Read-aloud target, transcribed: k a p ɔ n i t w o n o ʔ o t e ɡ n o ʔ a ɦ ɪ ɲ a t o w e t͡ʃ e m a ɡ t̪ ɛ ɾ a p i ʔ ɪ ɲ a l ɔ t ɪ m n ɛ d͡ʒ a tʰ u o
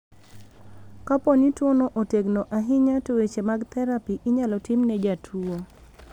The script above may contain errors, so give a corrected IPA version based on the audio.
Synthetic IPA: k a p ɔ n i t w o n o ʔ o t e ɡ n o ʔ a ɦ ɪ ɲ a t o w e t͡ʃ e m a ɡ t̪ ɛ ɾ a p i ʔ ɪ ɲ a l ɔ t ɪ m n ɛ d͡ʒ a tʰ u o